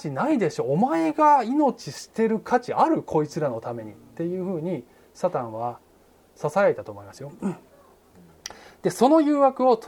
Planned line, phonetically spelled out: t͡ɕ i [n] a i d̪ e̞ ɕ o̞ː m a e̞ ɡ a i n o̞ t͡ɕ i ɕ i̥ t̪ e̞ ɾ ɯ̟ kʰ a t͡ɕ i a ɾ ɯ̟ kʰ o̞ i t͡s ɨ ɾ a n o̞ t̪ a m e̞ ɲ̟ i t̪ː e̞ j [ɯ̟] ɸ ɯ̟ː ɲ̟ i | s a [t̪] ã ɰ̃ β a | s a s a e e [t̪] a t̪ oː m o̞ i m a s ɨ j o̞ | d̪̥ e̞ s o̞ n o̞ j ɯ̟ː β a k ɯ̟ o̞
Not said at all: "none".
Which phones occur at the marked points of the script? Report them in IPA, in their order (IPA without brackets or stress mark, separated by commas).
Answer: n, ɯ̟ː, t̪, t̪